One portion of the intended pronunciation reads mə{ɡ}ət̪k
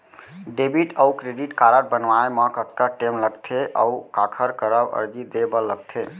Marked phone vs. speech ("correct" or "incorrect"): incorrect